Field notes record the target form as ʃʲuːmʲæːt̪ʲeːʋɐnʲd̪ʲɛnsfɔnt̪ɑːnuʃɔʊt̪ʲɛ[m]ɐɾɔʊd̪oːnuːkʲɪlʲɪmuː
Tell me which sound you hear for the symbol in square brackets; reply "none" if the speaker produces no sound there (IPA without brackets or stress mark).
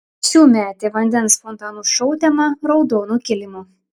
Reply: m